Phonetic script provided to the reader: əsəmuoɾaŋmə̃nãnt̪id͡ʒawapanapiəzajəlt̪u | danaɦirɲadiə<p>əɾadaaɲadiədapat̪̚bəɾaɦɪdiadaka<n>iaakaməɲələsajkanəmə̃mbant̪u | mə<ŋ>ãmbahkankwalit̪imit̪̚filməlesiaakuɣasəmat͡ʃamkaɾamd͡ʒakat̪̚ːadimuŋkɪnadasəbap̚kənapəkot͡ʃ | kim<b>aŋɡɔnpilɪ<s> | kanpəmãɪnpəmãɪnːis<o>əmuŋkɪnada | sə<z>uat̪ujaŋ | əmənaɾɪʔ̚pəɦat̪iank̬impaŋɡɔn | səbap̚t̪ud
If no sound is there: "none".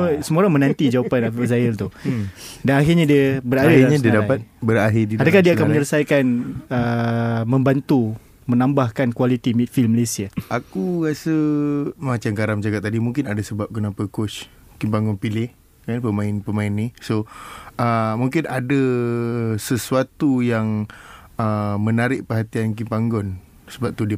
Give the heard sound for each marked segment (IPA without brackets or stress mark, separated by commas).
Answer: b, d, n, p, h, o, s